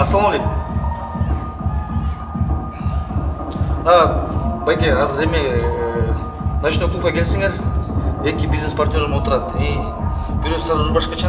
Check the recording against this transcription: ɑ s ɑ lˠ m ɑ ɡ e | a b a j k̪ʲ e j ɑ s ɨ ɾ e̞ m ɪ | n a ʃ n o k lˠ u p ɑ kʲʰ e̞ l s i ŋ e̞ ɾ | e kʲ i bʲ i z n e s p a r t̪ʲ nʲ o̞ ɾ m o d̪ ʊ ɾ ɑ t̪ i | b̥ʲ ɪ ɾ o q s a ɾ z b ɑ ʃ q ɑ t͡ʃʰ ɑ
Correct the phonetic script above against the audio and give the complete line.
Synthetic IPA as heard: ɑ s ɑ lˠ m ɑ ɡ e | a b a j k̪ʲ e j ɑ z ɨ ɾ e̞ m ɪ | n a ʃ n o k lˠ u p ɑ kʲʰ e̞ l s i ŋ e̞ ɾ | e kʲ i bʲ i z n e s p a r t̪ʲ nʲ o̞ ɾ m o t̪ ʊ ɾ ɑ t̪ i | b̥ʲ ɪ ɾ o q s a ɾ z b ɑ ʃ q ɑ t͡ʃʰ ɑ